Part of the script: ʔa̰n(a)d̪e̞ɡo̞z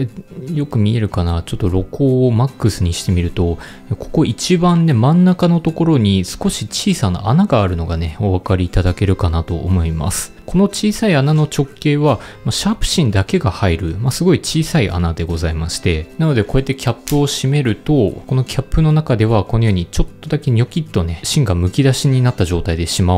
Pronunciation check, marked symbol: correct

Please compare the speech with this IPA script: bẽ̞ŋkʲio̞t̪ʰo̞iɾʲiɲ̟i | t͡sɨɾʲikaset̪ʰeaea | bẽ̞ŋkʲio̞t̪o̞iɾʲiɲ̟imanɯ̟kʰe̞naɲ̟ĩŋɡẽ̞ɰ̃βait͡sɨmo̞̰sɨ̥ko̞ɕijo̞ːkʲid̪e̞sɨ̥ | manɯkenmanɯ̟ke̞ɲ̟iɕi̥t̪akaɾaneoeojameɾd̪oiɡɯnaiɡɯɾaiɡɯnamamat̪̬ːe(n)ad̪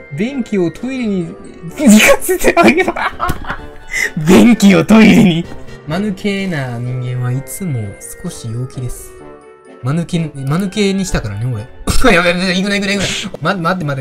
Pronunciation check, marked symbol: incorrect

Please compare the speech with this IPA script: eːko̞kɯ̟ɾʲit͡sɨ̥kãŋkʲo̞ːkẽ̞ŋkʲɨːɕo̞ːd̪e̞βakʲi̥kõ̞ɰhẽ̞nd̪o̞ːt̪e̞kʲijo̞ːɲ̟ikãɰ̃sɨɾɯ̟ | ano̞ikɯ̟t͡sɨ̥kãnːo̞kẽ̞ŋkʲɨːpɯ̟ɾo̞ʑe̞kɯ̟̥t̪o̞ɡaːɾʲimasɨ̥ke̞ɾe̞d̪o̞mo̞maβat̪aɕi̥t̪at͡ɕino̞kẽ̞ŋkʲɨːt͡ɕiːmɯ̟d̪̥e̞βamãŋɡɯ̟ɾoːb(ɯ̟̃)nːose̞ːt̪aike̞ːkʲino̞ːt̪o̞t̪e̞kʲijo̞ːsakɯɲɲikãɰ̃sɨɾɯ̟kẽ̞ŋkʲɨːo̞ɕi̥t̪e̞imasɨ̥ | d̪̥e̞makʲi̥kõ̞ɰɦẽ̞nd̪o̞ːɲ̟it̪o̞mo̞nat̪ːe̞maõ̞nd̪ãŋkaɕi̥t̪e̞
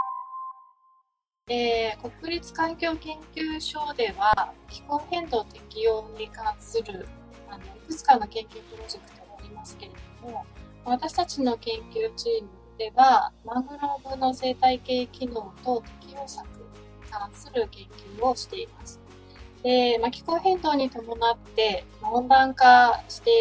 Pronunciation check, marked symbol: incorrect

